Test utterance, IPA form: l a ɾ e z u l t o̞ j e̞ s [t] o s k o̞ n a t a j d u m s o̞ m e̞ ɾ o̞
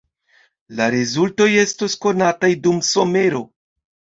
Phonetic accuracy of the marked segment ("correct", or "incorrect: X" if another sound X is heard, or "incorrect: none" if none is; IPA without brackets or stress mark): correct